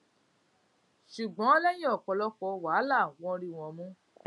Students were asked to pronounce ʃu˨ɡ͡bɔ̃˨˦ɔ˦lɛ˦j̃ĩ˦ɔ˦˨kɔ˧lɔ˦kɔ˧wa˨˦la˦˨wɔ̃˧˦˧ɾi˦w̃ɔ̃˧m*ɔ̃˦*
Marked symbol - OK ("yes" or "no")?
no